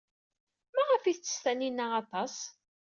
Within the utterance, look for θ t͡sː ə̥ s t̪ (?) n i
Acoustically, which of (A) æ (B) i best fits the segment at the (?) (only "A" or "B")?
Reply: A